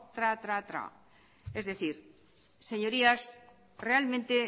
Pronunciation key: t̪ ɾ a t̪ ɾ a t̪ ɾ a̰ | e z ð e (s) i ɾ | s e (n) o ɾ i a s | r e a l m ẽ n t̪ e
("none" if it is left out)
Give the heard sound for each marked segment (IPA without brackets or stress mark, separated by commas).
θ, ɲ